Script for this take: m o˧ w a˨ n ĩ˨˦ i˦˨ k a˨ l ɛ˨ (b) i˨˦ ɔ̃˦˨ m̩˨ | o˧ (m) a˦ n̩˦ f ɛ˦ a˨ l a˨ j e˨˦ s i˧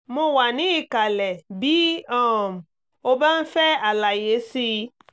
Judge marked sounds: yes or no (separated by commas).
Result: yes, no